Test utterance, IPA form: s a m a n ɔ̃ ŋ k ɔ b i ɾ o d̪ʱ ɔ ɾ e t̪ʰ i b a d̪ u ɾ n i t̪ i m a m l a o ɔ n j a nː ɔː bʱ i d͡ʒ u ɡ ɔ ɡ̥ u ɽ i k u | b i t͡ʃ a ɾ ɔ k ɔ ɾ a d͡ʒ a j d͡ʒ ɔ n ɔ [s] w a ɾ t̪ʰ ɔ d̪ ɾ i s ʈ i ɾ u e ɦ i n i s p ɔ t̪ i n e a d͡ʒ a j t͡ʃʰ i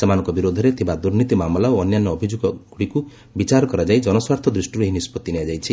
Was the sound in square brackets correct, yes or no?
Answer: yes